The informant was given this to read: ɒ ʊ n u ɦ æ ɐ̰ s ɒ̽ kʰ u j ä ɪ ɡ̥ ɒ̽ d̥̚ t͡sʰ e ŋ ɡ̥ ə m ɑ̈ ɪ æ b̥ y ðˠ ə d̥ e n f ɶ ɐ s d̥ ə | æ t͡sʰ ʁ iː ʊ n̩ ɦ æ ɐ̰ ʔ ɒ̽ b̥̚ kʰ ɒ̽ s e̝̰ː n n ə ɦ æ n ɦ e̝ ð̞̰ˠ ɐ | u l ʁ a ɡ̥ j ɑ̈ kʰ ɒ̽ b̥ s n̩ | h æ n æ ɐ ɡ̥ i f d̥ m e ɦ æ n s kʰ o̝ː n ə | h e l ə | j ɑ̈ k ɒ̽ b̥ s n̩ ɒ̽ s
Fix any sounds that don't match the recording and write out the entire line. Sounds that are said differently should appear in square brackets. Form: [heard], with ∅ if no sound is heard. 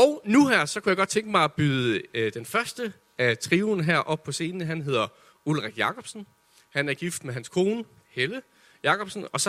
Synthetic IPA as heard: ɒ ʊ n u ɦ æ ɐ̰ s ɒ̽ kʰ u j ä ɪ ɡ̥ ɒ̽ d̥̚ t͡sʰ e ŋ ɡ̥ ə m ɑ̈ ɪ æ b̥ y ðˠ ə d̥ e n f ɶ ɐ s d̥ ə | æ t͡sʰ ʁ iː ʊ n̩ ɦ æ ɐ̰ ʔ ɒ̽ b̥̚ [pʰ] ɒ̽ s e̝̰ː n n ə ɦ æ n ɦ e̝ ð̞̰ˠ ɐ | u l ʁ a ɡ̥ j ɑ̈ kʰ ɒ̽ b̥ s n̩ | h æ n æ ɐ ɡ̥ i f d̥ m e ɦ æ n s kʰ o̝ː n ə | h e l ə | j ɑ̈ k ɒ̽ b̥ s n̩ ɒ̽ s